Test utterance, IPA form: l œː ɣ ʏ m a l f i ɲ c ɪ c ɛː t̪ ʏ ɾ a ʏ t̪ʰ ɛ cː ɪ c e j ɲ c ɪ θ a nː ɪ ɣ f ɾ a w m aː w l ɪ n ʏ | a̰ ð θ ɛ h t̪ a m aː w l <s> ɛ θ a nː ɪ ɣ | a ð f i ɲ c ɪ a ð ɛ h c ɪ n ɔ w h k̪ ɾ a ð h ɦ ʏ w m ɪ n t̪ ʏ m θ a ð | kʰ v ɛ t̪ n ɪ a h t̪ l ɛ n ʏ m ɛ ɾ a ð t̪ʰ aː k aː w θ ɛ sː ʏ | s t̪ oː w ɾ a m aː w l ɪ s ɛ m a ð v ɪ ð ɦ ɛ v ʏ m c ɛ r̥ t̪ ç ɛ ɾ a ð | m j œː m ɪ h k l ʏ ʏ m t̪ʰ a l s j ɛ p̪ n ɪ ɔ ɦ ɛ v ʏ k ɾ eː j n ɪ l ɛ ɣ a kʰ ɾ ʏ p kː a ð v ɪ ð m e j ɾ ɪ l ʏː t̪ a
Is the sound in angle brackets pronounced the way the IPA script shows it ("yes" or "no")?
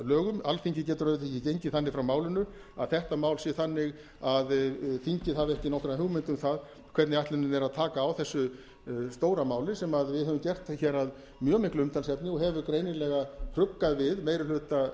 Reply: yes